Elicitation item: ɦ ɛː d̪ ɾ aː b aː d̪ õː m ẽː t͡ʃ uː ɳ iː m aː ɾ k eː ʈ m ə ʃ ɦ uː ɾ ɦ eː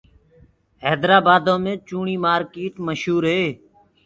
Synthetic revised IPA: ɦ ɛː d̪ ɾ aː b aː d̪ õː m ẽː t͡ʃ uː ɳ iː m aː ɾ k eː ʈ m ə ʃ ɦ uː ɾ ɦ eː